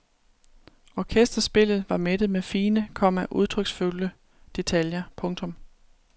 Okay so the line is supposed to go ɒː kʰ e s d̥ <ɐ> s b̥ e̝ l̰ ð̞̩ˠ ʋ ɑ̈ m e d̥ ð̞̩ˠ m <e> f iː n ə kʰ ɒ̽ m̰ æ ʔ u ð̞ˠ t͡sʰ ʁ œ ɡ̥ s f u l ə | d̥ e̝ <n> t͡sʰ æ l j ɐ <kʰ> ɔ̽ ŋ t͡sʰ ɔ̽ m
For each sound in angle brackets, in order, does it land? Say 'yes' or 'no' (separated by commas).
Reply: yes, yes, no, no